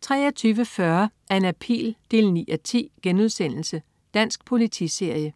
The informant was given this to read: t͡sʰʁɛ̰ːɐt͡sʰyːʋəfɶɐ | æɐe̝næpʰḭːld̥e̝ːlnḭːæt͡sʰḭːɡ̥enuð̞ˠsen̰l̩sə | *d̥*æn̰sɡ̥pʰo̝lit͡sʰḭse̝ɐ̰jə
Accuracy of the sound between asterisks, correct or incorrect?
correct